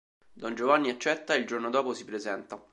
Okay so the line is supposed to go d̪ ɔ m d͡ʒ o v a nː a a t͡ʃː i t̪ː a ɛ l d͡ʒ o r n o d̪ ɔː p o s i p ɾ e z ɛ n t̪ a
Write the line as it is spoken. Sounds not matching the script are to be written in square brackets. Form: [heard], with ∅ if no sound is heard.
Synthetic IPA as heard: d̪ ɔ [n] d͡ʒ o v a nː [i] a t͡ʃː [ɛ] t̪ː a [i] l d͡ʒ o r n o d̪ ɔː p o s i p ɾ e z ɛ n t̪ a